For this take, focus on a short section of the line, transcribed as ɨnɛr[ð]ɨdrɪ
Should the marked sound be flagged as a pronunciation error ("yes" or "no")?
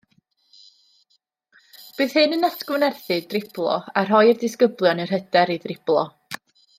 yes